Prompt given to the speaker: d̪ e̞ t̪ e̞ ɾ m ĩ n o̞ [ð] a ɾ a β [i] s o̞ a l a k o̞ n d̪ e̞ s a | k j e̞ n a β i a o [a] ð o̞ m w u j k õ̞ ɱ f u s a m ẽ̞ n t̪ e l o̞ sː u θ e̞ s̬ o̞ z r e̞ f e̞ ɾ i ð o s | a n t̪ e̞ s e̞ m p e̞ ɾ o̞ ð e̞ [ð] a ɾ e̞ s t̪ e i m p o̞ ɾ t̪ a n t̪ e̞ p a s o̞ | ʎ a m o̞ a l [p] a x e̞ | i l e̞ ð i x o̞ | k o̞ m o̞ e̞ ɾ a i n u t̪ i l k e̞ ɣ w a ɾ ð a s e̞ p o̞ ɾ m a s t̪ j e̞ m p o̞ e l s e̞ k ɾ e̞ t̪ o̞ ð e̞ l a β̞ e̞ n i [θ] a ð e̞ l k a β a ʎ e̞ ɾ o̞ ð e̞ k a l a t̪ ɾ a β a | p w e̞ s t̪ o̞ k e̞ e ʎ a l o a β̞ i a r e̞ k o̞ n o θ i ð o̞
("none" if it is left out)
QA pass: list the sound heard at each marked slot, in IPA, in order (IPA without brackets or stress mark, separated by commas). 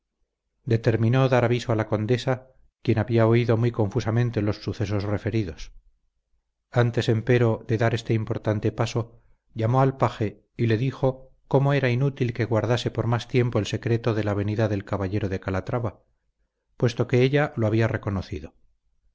ð, i, i, ð, p, ð